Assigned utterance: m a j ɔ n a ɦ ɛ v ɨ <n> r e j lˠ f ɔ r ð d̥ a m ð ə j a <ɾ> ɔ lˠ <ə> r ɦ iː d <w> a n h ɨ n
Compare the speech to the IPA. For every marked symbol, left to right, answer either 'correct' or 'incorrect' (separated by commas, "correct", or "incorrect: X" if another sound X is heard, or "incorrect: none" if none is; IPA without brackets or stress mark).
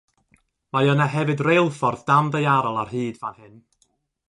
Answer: incorrect: d, correct, incorrect: a, incorrect: v